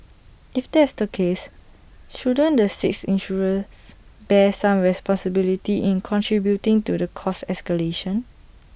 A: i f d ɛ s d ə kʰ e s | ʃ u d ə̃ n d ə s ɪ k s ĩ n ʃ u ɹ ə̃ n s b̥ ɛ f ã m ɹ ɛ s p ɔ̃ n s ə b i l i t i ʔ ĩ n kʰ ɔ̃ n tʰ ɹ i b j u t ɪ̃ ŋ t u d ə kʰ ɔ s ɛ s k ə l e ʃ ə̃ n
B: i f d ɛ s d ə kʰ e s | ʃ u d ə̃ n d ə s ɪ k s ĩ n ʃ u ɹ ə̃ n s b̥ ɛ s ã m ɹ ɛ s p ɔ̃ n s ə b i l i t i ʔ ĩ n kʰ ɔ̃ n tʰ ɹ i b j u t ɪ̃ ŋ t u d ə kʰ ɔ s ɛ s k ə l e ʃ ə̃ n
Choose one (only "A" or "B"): B